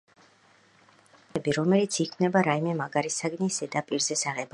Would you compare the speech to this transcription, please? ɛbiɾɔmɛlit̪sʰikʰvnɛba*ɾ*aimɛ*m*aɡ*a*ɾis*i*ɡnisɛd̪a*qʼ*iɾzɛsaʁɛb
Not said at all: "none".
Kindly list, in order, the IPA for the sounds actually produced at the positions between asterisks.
ɾ, m, a, a, pʼ

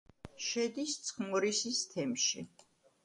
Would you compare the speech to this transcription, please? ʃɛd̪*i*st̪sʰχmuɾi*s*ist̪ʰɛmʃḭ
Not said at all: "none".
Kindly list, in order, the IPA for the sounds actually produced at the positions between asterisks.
i, s

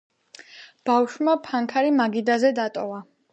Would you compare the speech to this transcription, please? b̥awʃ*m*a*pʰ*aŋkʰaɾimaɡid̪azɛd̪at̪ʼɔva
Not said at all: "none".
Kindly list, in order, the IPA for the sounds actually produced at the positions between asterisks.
m, pʰ

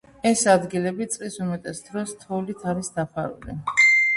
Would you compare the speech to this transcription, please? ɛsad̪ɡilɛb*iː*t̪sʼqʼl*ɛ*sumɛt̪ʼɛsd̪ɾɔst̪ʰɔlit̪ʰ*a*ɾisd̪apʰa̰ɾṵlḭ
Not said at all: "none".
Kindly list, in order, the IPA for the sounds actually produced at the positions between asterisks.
i, i, a

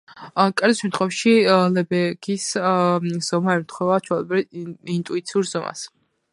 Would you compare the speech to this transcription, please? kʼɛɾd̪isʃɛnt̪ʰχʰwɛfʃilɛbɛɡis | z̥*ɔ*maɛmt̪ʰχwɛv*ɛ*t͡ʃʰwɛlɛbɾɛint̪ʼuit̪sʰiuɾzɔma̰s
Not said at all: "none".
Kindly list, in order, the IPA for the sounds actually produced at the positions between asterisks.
ɔ, a

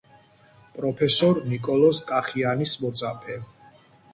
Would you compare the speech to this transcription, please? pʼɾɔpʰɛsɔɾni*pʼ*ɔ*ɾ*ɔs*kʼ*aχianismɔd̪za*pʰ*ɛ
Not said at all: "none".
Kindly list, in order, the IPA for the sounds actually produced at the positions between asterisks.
kʼ, l, kʼ, pʰ

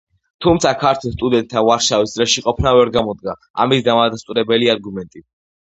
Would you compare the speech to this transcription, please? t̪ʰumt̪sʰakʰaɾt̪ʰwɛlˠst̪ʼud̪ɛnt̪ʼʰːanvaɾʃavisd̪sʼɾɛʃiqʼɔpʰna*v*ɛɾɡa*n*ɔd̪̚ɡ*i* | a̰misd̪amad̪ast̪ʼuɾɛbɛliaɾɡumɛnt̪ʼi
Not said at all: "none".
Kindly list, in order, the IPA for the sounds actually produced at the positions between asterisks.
v, m, a

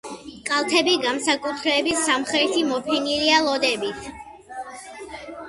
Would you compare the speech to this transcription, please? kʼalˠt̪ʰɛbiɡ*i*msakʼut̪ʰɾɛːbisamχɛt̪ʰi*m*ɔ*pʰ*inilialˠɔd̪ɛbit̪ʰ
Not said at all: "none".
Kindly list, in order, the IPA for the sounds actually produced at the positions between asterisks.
a, m, pʰ

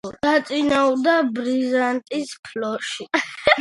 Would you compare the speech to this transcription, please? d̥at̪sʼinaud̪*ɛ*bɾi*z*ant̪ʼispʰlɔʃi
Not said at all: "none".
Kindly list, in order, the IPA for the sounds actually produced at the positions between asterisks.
a, z

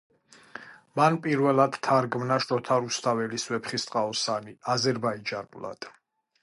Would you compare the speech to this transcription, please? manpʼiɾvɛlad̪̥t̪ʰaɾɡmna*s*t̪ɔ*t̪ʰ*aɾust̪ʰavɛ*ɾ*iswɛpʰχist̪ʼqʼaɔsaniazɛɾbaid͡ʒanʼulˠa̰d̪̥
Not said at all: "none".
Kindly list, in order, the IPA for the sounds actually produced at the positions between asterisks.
ʃ, t̪ʰ, l

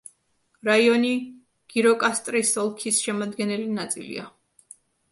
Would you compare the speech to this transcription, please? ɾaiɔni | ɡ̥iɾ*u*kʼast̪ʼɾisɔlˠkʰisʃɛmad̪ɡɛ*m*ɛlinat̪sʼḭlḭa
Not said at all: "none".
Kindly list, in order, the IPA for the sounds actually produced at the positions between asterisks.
ɔ, n

